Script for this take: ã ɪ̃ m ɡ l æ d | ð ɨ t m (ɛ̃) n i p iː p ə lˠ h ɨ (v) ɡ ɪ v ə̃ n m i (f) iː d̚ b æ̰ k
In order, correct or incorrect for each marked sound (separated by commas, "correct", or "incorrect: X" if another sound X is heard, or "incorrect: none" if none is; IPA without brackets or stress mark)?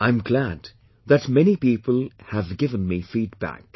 incorrect: ɛ, correct, correct